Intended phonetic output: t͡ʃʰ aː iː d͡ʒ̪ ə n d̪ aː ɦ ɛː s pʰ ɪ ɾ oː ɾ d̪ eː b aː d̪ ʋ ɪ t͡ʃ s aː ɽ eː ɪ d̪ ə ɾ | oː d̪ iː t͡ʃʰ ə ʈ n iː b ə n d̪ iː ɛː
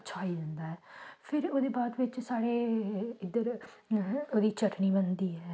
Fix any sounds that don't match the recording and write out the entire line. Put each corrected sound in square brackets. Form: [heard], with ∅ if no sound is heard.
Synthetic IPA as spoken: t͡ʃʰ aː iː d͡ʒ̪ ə n d̪ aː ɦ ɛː [∅] pʰ ɪ ɾ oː [∅] d̪ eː b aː d̪ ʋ ɪ t͡ʃ s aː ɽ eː ɪ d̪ ə ɾ | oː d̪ iː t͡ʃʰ ə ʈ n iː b ə n d̪ iː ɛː